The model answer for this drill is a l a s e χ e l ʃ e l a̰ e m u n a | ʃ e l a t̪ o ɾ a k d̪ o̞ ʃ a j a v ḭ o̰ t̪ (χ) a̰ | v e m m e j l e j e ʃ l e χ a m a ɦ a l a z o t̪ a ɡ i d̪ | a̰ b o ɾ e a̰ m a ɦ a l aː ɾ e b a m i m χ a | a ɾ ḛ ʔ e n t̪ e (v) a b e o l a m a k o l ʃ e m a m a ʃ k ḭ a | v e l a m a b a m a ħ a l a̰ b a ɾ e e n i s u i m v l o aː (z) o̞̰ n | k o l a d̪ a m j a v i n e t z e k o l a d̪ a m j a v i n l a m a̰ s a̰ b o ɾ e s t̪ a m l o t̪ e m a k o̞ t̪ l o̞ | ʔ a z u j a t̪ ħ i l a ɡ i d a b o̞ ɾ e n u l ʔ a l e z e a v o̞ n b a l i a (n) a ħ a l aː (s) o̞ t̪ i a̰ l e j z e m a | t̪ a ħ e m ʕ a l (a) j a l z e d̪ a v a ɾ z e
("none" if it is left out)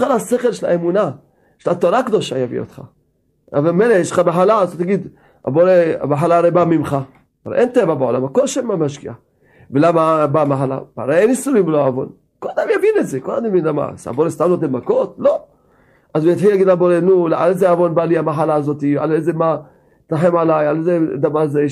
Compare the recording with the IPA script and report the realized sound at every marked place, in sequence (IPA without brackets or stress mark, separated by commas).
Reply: χ, v, v, m, z, a